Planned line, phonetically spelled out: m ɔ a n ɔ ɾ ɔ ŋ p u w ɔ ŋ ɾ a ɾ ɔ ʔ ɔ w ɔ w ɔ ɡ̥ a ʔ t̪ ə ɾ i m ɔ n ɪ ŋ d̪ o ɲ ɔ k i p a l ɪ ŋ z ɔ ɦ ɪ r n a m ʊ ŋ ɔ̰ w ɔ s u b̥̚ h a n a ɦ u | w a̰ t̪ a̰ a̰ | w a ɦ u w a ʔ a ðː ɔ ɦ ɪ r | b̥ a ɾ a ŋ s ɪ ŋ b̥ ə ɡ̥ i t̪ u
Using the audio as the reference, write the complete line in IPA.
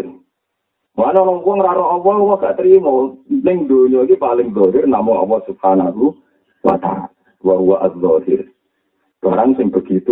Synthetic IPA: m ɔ a n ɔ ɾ ɔ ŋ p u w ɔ ŋ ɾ a ɾ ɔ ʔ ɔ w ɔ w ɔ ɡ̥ a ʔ t̪ ə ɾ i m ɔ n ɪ ŋ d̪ o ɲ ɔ k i p a l ɪ ŋ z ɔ ɦ ɪ r n a m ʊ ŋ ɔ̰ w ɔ s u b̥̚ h a n a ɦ u | w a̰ t̪ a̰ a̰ | w a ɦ u w a ʔ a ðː ɔ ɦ ɪ r | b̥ a ɾ a ŋ s ɪ ŋ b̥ ə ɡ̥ i t̪ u